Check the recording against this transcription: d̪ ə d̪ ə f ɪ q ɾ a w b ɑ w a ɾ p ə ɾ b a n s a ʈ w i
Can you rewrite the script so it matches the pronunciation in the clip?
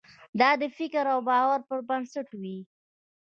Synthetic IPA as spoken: d̪ ɑ d̪ ə f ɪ k ɾ a w b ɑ w a ɾ p ə ɾ b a n s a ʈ w i